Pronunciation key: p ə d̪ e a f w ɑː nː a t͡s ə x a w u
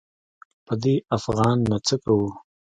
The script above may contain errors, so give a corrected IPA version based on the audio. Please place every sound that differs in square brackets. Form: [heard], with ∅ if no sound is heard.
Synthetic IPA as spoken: p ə d̪ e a f [ɣ] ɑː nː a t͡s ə [k] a w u